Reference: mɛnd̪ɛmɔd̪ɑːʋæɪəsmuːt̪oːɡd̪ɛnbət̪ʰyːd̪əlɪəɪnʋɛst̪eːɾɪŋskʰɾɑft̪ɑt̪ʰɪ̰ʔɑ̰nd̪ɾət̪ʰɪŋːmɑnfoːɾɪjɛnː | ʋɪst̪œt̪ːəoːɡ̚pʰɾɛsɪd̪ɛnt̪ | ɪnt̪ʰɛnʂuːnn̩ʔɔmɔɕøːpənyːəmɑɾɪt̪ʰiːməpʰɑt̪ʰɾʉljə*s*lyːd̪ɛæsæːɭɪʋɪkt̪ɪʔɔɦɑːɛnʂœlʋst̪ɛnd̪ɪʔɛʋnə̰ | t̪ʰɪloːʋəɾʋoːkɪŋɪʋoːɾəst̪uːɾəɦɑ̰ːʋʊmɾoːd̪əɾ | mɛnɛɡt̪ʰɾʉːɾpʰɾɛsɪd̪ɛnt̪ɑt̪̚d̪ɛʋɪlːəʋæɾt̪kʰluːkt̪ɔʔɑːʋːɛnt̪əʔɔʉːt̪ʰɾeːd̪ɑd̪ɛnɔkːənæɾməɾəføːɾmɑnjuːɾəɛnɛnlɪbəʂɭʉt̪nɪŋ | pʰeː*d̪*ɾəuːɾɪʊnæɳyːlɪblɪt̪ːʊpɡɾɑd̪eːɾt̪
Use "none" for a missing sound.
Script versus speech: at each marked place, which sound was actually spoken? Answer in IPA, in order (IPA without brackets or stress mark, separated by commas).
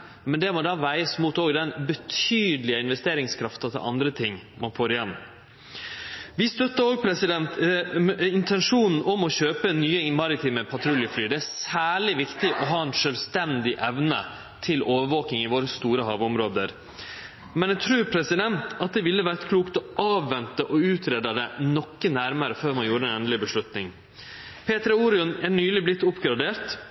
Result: f, t̪